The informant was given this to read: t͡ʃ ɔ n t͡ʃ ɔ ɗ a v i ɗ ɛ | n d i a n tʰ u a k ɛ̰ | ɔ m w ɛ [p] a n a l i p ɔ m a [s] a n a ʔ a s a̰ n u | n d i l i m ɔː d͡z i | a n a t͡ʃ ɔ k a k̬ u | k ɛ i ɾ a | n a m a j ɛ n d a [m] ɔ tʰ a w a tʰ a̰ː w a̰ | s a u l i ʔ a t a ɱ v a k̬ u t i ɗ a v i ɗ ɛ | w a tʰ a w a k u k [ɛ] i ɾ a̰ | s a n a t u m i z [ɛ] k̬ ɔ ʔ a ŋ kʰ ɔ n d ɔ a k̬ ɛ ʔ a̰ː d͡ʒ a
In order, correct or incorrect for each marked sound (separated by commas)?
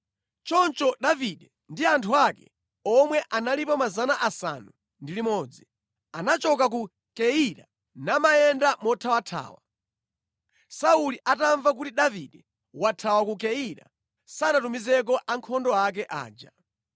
incorrect, incorrect, correct, correct, correct